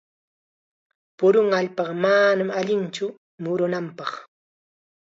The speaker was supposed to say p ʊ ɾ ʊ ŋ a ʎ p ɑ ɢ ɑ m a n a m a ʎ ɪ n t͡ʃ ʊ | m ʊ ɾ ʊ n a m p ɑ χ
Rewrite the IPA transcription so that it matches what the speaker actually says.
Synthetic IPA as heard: p ʊ ɾ ʊ ŋ a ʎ p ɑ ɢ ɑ m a n a m a ʎ ɪ n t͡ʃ ʊ | m ʊ ɾ ʊ n a m p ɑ χ

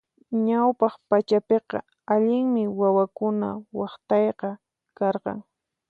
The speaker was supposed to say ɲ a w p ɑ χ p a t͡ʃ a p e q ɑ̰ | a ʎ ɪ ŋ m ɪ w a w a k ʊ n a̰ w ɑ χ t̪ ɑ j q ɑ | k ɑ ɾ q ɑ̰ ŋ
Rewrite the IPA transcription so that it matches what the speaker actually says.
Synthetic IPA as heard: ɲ a w p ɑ χ p a t͡ʃ a p e q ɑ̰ | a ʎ ɪ ŋ m ɪ w a w a k ʊ n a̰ w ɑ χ t̪ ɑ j q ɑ | k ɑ ɾ q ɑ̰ ŋ

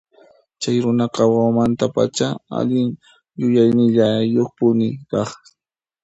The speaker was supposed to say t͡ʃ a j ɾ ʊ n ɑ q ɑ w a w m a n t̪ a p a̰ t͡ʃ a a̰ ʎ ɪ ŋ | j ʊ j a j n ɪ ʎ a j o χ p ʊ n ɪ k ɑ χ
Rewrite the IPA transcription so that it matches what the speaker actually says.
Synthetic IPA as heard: t͡ʃ a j ɾ ʊ n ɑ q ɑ w a w m a n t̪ a p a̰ t͡ʃ a a̰ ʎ ɪ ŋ | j ʊ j a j n ɪ ʎ a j o χ p ʊ n ɪ k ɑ χ

